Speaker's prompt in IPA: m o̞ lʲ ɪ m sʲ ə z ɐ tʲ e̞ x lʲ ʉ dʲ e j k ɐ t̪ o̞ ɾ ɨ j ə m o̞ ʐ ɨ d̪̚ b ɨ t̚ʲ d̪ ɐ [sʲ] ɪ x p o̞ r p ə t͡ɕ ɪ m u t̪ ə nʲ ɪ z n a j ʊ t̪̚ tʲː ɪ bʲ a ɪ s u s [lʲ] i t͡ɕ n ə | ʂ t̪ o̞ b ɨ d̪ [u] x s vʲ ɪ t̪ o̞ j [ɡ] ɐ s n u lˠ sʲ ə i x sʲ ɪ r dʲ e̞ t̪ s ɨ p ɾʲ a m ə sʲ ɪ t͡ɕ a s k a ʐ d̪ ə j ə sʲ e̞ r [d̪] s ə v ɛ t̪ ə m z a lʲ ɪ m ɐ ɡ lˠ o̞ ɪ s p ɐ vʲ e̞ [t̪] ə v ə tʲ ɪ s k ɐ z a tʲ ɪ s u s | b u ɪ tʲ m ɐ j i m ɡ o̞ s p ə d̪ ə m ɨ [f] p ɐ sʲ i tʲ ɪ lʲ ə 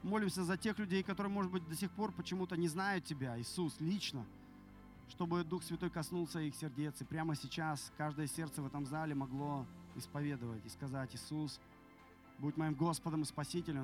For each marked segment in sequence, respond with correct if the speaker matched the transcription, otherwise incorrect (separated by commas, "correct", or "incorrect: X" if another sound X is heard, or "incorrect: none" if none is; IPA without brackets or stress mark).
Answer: correct, correct, correct, incorrect: k, incorrect: t̪, incorrect: d̪, incorrect: s